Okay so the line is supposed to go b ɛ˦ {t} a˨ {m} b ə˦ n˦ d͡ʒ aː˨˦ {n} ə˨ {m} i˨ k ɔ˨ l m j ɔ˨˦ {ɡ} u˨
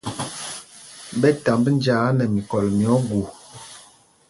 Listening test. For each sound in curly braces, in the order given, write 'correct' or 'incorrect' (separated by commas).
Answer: correct, correct, correct, correct, correct